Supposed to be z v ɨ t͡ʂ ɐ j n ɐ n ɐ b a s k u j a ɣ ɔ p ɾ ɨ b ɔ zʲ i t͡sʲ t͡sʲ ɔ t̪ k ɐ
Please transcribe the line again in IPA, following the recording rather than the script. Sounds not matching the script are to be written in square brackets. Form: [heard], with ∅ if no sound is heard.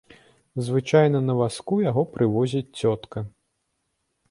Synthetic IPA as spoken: z v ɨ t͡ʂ [a] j n ɐ n ɐ [v] a s k u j a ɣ ɔ p ɾ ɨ [v] ɔ zʲ i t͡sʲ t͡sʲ ɔ t̪ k ɐ